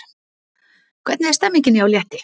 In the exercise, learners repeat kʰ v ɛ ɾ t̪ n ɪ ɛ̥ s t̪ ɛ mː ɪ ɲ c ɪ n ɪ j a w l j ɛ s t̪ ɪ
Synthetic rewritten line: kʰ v ɛ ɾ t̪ n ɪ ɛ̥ s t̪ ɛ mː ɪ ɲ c ɪ n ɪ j a w l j ɛ h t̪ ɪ